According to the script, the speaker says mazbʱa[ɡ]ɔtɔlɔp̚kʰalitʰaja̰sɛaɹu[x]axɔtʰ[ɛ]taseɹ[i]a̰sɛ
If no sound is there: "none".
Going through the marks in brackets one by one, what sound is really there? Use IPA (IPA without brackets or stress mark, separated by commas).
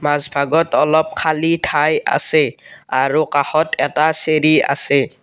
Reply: ɡ, k, ɛ, i